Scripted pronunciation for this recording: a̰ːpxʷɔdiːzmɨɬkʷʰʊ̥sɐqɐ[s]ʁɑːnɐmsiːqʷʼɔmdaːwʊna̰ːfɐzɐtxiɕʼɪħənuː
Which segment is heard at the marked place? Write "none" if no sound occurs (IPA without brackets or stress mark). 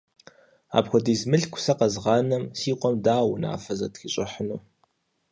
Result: z